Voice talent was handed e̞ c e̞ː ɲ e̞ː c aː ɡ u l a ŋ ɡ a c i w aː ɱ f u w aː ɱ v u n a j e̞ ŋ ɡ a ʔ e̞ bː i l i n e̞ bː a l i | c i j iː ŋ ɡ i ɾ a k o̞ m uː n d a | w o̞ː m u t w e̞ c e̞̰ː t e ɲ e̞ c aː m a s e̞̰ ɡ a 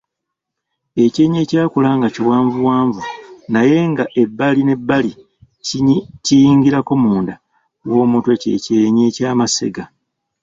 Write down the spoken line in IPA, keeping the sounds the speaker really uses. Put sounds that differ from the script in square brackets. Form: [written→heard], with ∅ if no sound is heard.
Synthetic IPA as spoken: e̞ c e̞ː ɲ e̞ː c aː [ɡ→k] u l a ŋ ɡ a c i w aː ɱ [f→v] u w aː ɱ v u n a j e̞ ŋ ɡ a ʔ e̞ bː [i→a] l i n e̞ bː a l i | c i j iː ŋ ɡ i ɾ a k o̞ m uː n d a | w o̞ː m u t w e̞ c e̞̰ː [t→c] e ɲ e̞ c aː m a s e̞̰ ɡ a